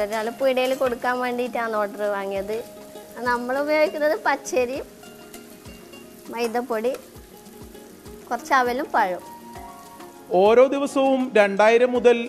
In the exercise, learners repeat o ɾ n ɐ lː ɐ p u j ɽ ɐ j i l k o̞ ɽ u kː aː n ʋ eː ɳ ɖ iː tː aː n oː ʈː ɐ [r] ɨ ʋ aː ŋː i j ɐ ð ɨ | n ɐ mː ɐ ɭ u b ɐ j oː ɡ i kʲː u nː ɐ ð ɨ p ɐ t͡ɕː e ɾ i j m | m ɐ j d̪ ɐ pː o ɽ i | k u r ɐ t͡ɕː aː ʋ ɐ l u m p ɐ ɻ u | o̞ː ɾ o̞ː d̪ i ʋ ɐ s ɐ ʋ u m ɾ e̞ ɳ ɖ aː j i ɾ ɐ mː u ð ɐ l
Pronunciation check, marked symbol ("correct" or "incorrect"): correct